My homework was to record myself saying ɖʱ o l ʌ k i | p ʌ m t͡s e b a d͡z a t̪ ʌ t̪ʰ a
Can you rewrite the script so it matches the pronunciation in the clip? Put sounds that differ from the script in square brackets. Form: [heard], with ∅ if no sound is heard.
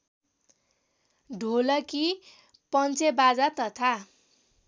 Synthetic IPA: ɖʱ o l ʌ k i | p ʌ [n] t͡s e b a d͡z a t̪ ʌ t̪ʰ a